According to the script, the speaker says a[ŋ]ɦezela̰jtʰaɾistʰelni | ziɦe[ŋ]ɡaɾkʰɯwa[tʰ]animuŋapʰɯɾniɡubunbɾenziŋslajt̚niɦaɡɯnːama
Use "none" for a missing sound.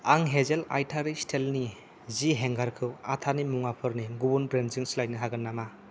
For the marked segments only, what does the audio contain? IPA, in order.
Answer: ŋ, ŋ, tʰ

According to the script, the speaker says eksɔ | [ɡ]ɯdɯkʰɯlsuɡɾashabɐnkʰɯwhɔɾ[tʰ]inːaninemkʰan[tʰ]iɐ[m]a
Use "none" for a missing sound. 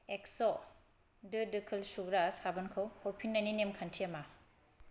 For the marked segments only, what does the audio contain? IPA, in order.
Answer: d, pʰ, tʰ, m

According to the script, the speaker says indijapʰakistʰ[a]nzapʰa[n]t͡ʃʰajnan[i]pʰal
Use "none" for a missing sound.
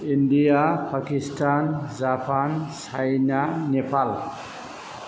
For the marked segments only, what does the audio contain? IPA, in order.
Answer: a, n, e

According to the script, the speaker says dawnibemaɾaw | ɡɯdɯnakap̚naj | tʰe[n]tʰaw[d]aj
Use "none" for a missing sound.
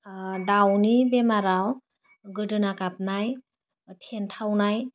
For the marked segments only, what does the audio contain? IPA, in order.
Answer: n, n

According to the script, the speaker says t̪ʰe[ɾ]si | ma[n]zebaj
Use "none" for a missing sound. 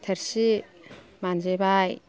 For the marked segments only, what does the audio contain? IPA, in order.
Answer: ɾ, n

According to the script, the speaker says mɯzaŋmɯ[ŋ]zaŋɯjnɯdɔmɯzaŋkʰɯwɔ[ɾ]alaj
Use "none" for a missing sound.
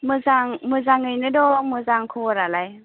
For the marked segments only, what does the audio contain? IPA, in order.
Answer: none, ɾ

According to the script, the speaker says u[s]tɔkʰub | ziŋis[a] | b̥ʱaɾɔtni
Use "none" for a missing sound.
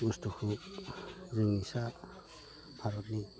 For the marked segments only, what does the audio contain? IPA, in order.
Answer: s, a

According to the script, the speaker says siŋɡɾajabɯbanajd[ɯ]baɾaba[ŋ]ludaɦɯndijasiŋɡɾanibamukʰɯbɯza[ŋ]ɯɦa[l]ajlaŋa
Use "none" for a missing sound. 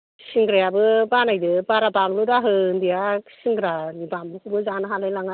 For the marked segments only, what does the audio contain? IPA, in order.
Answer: ɯ, m, n, l

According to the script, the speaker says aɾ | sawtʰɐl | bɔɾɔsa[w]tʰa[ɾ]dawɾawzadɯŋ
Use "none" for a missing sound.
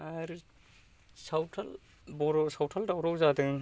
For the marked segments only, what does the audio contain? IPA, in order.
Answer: w, l

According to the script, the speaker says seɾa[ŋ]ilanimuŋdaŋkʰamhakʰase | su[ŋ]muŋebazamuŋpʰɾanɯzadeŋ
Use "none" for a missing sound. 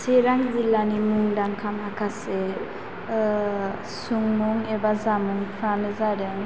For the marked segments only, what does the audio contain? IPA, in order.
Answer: ŋ, ŋ

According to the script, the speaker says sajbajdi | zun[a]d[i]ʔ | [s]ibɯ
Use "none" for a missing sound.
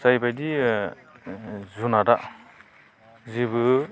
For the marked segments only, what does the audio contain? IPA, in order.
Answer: a, a, z

